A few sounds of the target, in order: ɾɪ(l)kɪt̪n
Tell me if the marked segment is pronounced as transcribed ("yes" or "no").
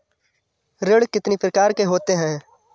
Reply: no